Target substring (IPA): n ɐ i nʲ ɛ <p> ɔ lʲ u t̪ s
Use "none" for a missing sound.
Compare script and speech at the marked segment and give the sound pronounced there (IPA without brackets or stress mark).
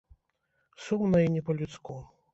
p